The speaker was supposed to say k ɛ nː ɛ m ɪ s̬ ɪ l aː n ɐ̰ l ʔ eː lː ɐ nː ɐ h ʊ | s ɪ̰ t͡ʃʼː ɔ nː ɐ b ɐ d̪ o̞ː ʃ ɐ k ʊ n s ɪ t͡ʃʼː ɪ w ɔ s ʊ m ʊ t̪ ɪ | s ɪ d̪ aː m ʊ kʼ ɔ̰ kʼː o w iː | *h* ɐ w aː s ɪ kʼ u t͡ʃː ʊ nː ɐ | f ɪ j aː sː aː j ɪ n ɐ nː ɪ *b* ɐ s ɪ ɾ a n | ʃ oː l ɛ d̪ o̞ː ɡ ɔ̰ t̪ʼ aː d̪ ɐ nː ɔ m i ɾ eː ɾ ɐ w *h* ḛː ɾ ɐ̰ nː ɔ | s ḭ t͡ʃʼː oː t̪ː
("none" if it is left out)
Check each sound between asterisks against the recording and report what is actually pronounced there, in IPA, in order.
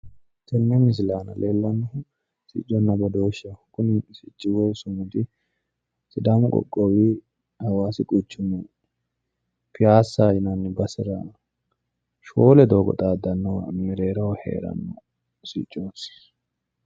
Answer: h, b, h

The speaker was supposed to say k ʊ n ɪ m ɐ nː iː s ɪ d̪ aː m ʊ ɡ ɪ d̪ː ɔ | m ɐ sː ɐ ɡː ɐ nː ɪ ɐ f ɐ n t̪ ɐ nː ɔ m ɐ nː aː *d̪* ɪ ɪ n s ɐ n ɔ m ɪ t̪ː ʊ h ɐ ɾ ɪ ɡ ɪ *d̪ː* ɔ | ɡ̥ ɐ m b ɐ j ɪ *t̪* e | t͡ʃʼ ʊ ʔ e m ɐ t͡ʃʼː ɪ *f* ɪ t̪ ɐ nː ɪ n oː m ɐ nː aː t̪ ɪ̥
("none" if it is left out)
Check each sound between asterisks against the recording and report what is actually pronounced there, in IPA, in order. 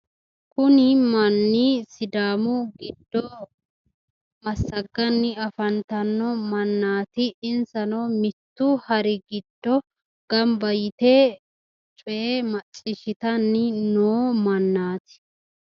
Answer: t̪, d̪ː, t̪, ʃ

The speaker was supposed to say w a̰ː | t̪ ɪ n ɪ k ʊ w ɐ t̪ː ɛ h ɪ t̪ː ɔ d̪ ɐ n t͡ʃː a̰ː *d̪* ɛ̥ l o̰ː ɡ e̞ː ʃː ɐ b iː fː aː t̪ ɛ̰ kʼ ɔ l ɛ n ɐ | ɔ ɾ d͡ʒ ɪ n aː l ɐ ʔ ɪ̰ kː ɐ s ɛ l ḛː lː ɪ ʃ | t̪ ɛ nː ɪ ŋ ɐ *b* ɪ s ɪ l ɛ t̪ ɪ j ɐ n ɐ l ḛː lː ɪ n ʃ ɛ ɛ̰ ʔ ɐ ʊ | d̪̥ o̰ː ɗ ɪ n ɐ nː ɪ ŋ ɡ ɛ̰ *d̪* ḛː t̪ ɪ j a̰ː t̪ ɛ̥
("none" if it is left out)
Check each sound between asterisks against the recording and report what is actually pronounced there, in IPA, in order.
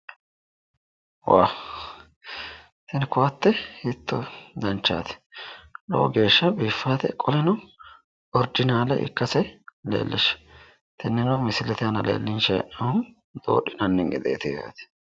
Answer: t̪, m, d̪

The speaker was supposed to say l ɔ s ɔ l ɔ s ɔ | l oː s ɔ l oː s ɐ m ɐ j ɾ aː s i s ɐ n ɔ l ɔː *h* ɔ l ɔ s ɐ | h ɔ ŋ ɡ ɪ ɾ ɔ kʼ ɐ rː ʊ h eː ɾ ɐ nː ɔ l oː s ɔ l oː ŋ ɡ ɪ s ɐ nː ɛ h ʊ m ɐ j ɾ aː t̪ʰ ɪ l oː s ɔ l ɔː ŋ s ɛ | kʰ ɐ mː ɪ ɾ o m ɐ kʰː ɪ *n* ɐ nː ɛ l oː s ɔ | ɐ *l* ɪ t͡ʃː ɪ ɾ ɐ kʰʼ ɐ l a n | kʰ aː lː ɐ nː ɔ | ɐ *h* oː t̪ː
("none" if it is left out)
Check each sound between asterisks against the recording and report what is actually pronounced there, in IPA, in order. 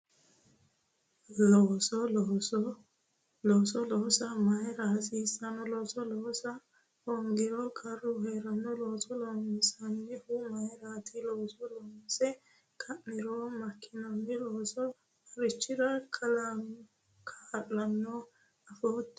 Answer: s, n, ɾ, f

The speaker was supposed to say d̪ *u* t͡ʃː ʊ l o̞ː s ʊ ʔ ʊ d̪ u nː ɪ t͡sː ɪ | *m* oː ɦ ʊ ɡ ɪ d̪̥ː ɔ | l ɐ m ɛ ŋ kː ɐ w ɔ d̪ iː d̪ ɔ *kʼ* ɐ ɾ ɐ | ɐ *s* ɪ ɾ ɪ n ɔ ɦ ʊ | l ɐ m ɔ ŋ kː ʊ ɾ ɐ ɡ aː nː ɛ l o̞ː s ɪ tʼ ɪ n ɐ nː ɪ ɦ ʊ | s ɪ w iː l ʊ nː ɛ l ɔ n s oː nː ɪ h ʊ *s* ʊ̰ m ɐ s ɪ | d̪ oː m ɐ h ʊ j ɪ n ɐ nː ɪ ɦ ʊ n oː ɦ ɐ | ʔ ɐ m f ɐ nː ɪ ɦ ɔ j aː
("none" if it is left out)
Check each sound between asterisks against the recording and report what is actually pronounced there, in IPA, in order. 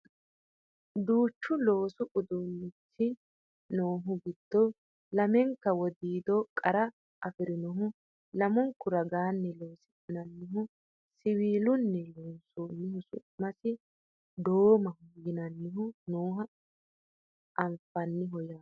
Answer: uː, n, kʼ, f, s

